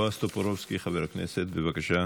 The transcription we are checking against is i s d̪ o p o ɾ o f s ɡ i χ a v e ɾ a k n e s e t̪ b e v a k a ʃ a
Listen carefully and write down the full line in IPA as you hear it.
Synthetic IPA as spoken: a s t̪ o p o ɾ o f s k i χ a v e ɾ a k n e s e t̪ b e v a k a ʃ a